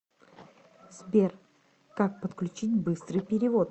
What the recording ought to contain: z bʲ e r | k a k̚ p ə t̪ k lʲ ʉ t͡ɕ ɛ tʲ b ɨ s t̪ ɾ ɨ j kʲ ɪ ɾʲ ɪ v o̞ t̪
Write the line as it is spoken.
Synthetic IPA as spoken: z bʲ e r | k a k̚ p ə t̪ k lʲ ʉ t͡ɕ i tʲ b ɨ s t̪ ɾ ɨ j pʲ ɪ ɾʲ ɪ v o̞ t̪